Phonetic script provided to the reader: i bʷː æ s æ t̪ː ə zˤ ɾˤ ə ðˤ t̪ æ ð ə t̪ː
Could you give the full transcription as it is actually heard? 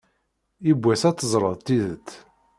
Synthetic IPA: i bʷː æ s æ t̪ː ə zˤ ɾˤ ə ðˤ t̪ i ð ə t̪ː